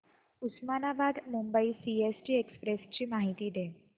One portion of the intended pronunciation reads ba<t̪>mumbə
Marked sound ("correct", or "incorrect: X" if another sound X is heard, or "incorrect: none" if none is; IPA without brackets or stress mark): incorrect: d̪